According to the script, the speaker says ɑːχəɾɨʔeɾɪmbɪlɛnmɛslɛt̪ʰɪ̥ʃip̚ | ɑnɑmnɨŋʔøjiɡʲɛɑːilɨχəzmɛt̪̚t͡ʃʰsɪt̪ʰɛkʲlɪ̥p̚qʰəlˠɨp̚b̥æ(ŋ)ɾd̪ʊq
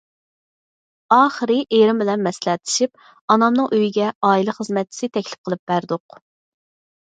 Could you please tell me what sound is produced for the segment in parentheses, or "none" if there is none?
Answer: none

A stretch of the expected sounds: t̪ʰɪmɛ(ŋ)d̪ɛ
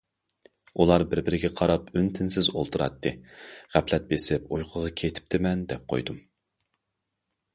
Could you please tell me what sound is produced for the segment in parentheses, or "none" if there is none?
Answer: n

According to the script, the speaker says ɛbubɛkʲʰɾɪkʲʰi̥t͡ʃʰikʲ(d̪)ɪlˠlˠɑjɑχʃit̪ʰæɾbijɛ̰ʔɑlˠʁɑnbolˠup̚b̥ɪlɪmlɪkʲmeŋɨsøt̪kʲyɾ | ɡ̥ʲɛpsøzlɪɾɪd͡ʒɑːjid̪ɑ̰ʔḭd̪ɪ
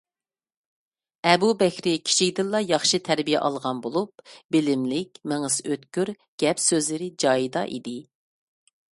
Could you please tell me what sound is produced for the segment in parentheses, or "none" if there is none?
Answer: d̪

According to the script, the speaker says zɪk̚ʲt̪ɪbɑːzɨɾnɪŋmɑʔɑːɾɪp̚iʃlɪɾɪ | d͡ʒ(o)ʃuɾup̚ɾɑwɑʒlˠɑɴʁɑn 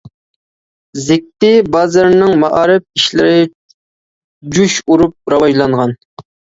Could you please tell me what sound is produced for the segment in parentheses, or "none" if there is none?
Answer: u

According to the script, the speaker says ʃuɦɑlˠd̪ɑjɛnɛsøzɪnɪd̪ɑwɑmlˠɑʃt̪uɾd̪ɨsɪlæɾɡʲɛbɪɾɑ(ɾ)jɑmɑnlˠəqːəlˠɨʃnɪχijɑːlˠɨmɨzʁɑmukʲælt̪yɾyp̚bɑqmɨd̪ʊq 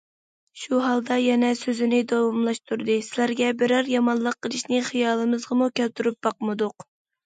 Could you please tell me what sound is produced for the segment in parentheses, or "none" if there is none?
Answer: ɾ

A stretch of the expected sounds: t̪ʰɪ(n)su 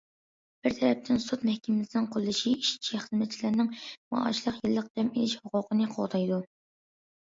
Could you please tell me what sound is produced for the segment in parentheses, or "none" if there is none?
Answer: n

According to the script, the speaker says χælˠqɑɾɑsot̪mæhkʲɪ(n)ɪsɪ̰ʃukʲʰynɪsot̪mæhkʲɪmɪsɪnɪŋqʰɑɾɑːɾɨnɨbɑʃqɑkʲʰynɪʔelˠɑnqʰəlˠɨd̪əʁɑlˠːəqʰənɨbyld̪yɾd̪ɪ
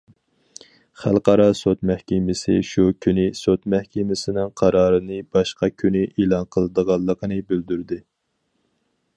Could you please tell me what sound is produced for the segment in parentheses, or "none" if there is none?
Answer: m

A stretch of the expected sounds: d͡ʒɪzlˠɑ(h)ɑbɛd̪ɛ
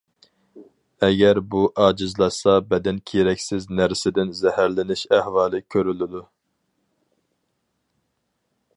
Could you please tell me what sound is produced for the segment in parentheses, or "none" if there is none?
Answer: s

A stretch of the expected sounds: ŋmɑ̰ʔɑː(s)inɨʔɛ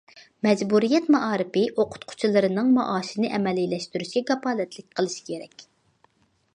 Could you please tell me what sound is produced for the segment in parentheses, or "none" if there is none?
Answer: ʃ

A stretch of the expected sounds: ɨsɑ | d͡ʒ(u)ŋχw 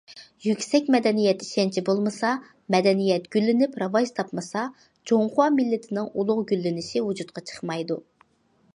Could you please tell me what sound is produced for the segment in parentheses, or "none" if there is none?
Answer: o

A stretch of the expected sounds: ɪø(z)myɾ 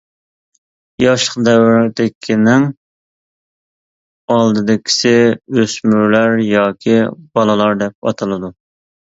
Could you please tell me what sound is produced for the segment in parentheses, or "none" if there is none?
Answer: s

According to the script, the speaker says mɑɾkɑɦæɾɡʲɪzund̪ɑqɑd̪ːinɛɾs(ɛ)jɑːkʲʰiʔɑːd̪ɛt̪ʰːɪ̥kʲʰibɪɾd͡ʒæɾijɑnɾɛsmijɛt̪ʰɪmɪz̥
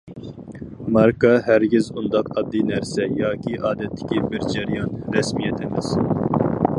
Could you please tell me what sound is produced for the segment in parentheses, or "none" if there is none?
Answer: ɛ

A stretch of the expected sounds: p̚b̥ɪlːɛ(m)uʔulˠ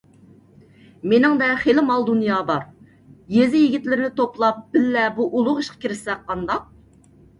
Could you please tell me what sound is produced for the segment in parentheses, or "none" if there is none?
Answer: b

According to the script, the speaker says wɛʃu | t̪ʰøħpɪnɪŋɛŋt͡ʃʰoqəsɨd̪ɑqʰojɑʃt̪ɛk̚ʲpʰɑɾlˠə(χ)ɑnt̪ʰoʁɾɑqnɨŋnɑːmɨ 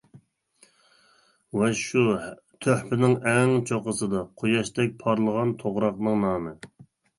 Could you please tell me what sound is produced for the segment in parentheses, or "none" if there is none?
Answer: ʁ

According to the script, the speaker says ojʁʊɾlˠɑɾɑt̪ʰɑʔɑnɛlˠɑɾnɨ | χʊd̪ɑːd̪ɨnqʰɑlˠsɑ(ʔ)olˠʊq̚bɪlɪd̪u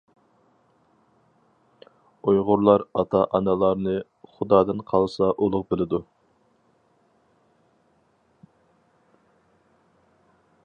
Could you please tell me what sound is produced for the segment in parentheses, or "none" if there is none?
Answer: ʔ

